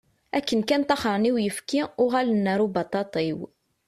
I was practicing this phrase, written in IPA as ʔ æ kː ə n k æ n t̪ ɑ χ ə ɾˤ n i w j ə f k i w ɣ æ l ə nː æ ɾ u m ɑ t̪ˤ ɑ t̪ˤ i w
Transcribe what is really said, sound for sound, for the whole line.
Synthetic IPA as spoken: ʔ æ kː ə n k æ n t̪ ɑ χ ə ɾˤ n i w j ə f k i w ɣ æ l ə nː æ ɾ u b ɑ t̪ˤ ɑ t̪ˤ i w

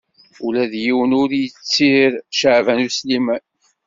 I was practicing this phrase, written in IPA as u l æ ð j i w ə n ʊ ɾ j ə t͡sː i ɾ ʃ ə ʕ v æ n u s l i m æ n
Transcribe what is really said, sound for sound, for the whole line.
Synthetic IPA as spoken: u l æ ð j i w ə n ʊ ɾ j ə t͡sː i ɾ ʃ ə ʕ v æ n u s l i m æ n

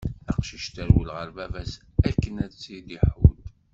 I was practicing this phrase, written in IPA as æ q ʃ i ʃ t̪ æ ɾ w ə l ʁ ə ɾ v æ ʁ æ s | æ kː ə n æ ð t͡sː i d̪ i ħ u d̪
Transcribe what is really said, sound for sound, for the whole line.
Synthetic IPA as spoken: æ q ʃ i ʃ t̪ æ ɾ w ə l ʁ ə ɾ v æ v æ s | æ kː ə n æ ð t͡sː i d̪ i ħ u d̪

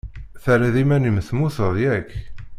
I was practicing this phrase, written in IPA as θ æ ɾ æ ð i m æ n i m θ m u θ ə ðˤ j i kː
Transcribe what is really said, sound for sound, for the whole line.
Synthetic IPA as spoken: θ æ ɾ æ ð i m æ n i m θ m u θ ə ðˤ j æ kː

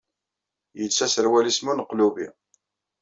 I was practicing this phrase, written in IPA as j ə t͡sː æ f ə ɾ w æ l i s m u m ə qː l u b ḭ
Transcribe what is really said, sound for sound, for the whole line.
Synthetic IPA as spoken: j ə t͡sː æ s ə ɾ w æ l i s m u n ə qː l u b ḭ

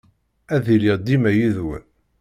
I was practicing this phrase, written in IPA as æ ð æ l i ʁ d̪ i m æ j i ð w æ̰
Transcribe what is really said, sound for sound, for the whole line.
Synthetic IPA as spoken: æ ð i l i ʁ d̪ i m æ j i ð w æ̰

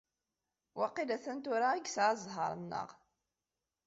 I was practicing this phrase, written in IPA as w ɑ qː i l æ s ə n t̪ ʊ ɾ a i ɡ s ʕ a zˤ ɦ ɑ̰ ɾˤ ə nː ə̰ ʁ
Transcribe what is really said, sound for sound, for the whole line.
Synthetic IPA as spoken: w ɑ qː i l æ θ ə n t̪ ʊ ɾ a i ɡ s ʕ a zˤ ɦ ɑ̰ ɾˤ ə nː ə̰ ʁ

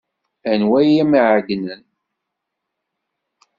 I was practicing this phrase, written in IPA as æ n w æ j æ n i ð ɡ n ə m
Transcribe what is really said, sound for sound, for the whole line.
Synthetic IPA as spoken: æ n w æ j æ m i ʕ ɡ n ə n

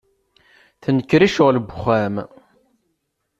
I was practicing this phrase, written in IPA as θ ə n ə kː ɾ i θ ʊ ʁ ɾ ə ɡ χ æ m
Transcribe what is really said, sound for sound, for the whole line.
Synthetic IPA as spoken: θ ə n ə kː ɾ i ʃ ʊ ʁ l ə b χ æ m

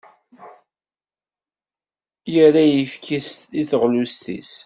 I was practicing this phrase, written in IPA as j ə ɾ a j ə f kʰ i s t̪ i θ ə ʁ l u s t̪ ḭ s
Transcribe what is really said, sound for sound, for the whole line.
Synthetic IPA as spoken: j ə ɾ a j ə f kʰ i s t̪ i θ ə ʁ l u s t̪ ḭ s

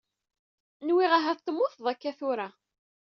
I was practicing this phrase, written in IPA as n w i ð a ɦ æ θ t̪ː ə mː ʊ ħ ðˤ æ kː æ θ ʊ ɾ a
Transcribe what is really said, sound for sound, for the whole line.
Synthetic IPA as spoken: n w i ʁ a ɦ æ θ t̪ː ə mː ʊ θ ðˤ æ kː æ θ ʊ ɾ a

